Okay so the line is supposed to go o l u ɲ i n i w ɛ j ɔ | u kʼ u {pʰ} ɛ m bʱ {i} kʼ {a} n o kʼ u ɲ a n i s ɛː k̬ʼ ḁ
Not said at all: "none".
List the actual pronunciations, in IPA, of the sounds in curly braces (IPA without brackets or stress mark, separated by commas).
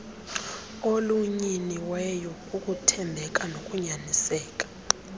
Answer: tʰ, ɛ, a